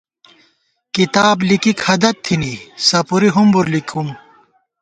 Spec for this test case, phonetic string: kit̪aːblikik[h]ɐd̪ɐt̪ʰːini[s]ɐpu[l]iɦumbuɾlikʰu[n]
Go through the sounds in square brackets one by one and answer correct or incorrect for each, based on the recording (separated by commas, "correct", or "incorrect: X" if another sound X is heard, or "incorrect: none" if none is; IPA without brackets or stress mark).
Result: correct, correct, incorrect: ɾ, incorrect: m